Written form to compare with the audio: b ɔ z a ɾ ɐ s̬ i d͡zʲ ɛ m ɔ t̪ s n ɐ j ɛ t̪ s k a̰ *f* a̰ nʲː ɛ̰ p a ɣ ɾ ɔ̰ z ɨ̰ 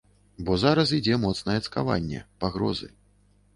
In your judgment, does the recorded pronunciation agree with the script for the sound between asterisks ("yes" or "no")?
no